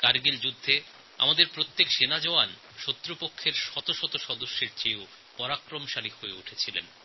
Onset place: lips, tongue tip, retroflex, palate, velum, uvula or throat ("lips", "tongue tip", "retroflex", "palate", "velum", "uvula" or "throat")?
velum